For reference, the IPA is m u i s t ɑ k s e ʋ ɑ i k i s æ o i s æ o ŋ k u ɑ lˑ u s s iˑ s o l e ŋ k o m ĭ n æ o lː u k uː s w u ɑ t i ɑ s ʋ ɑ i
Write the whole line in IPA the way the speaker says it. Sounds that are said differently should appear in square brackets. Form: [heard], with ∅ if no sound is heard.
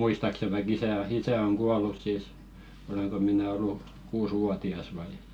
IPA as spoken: m u i s t ɑ k s e ʋ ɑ i k i s æ o i s æ o ŋ k u ɑ lˑ u s s iˑ s o l e ŋ k o m ĭ n æ o lː u k uː s w u ɑ t i ɑ s ʋ ɑ i